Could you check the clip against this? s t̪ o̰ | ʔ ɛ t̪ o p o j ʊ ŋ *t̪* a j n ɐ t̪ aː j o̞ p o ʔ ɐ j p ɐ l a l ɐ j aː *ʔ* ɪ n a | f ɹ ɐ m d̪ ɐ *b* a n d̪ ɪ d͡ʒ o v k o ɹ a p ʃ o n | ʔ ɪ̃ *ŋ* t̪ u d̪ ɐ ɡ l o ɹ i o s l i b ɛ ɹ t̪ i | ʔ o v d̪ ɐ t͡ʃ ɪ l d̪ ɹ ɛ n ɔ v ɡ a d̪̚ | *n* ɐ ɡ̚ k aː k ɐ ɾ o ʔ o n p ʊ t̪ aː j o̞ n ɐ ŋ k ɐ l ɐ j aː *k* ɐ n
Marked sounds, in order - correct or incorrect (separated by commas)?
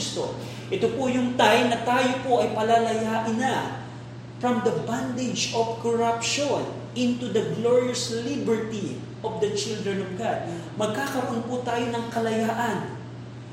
correct, correct, correct, incorrect, incorrect, incorrect